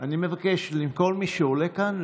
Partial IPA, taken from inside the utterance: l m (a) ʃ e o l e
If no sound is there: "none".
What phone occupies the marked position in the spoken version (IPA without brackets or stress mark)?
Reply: i